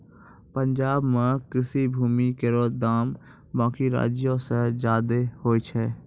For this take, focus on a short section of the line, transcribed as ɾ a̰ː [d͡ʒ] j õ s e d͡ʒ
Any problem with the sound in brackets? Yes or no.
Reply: no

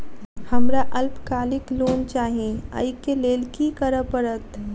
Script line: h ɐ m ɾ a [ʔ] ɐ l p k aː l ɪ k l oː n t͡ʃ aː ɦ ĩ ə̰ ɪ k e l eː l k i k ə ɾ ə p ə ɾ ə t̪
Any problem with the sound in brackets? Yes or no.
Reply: no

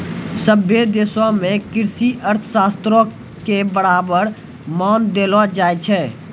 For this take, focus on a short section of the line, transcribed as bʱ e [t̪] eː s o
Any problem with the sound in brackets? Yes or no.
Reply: yes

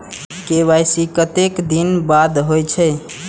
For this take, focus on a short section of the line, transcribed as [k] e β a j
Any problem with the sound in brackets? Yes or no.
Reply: no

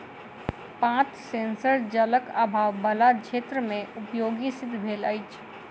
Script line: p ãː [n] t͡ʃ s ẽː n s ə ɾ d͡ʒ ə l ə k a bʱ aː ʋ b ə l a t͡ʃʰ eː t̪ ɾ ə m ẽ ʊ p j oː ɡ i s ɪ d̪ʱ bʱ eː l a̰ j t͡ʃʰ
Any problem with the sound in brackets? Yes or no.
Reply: yes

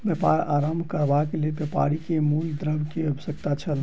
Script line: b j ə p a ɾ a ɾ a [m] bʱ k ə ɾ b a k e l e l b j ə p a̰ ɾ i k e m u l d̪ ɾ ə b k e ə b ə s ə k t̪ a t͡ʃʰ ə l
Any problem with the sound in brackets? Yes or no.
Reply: no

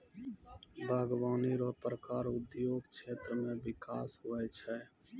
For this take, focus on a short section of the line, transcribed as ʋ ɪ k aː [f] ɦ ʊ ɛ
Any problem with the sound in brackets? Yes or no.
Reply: yes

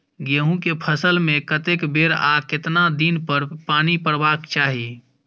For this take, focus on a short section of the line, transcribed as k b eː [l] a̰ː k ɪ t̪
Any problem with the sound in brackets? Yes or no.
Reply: yes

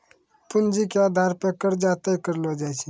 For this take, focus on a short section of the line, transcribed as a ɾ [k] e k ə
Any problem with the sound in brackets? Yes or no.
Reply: yes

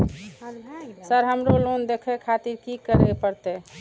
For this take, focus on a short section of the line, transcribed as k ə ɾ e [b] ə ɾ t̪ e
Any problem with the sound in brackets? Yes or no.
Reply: yes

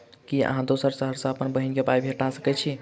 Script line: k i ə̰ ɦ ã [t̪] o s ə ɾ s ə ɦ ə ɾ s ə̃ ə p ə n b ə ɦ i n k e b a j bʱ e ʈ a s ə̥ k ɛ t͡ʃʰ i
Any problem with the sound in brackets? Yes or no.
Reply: yes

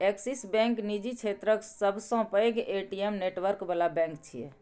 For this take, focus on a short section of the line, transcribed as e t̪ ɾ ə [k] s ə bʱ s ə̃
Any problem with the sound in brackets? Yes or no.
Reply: no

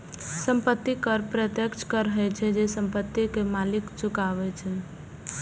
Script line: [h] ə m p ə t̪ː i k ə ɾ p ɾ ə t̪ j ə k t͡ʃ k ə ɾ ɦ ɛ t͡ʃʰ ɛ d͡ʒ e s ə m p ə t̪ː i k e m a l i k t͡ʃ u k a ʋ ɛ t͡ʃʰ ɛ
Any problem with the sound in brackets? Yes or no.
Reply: yes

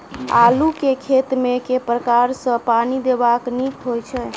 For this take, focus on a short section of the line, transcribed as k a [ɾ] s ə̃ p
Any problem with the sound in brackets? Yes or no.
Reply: no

